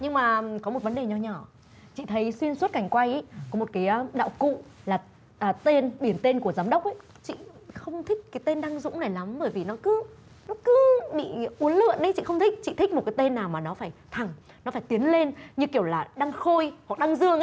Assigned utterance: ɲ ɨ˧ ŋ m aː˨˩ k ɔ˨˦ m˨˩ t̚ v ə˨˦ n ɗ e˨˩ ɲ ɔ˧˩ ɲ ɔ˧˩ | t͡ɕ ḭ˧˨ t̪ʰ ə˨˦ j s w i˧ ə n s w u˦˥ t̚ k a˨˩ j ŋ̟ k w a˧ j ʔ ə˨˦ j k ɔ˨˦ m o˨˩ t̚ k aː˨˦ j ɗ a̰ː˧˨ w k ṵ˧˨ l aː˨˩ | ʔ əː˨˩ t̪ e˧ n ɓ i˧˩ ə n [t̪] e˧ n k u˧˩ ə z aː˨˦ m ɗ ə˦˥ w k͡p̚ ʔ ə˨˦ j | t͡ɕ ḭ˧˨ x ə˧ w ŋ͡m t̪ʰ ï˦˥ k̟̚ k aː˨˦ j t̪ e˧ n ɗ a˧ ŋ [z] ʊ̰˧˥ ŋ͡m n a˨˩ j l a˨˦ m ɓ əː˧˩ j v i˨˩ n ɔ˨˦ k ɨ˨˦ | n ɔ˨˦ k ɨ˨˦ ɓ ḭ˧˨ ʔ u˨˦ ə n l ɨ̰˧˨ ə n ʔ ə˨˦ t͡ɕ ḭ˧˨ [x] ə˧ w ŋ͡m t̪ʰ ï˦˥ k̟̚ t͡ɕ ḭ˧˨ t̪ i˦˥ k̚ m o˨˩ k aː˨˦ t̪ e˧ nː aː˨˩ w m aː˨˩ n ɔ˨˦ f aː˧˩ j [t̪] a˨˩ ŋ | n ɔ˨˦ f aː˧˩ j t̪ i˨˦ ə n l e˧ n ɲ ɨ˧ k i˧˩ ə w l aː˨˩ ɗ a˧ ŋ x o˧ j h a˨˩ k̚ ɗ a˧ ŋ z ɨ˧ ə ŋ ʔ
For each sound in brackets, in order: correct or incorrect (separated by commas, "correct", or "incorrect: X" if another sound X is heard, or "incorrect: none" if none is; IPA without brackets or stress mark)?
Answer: correct, correct, correct, incorrect: t̪ʰ